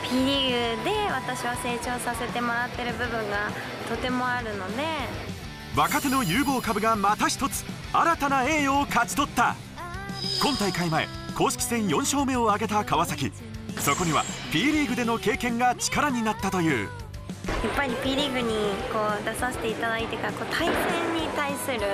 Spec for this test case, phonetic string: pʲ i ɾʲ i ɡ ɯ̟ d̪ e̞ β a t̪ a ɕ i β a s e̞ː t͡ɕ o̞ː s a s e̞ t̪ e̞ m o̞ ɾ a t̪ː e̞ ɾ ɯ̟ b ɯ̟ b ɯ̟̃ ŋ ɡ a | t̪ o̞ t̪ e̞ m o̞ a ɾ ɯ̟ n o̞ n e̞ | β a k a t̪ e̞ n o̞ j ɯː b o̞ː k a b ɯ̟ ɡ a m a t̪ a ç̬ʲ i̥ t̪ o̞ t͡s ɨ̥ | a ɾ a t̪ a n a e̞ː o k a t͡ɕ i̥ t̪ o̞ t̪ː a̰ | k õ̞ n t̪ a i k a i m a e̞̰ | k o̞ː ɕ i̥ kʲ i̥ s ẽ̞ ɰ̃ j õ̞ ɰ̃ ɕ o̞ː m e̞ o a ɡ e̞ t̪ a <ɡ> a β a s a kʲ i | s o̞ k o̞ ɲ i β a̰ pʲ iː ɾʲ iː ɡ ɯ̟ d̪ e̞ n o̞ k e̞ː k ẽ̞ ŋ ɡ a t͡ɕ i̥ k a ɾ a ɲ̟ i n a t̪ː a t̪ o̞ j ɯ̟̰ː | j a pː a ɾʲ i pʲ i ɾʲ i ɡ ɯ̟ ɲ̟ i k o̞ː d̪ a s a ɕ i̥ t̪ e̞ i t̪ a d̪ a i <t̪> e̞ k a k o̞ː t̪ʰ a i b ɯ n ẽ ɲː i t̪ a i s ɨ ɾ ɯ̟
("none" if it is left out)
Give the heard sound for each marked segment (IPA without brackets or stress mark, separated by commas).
k, t̪